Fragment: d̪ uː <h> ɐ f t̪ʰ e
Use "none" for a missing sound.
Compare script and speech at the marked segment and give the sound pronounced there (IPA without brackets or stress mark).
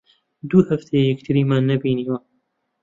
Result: h